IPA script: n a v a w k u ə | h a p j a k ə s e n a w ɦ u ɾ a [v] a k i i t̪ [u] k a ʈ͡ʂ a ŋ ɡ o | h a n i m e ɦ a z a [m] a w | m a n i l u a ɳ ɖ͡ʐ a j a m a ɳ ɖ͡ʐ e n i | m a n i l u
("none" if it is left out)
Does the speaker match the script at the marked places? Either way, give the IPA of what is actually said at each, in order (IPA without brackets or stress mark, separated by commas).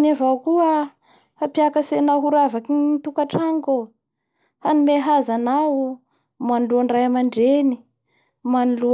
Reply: v, u, n